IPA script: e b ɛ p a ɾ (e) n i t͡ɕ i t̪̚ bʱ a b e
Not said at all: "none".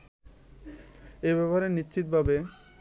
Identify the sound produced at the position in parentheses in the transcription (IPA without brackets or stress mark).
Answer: e